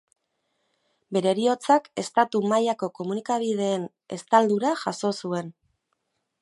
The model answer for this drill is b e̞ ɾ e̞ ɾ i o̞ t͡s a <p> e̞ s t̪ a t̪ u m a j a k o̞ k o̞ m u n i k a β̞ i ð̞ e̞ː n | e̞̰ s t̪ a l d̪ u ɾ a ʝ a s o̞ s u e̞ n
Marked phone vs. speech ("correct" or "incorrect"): incorrect